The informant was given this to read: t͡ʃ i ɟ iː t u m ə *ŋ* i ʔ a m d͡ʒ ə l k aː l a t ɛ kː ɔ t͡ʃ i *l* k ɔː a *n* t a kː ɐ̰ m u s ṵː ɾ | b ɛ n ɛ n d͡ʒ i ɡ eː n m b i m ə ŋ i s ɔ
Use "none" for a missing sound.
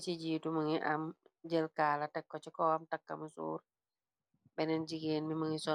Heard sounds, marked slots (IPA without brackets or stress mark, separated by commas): ŋ, none, m